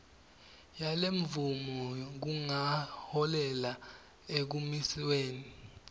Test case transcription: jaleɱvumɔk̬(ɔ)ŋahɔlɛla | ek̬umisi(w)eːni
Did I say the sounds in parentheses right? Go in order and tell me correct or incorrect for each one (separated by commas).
incorrect, correct